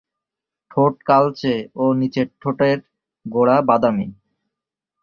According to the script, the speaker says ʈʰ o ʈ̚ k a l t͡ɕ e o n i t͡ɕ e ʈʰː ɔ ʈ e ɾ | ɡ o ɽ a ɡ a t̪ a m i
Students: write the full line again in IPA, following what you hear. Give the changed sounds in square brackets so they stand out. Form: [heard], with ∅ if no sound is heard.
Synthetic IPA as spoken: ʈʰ o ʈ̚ k a l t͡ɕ e o n i t͡ɕ e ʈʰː [o] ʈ e ɾ | ɡ o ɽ a [b] a [d̪] a m i